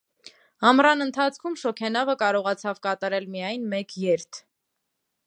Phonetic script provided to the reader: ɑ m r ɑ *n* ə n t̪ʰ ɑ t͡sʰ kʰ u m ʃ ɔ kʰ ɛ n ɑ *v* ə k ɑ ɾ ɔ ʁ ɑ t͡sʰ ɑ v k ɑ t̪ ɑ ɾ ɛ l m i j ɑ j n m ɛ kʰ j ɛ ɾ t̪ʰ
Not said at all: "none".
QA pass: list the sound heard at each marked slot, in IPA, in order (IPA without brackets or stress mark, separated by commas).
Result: n, v